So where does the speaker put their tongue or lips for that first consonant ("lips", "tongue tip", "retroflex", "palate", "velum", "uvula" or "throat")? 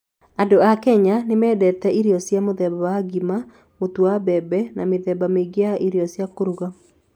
tongue tip